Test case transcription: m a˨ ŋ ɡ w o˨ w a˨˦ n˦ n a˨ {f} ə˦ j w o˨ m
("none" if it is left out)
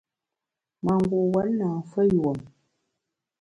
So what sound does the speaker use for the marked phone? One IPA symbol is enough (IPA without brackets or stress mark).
f